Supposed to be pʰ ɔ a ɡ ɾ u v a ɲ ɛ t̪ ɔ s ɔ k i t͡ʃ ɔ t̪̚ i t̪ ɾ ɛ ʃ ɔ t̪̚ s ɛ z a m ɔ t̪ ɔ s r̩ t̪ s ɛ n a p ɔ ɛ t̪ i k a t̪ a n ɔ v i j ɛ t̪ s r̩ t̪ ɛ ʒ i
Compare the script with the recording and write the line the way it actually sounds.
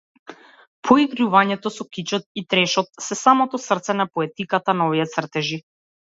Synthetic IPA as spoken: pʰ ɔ i ɡ ɾ u v a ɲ ɛ t̪ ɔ s ɔ k i t͡ʃ ɔ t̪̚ i t̪ ɾ ɛ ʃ ɔ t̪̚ s ɛ s a m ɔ t̪ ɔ s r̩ t̪ s ɛ n a p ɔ ɛ t̪ i k a t̪ a n ɔ v i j ɛ t̪ s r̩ t̪ ɛ ʒ i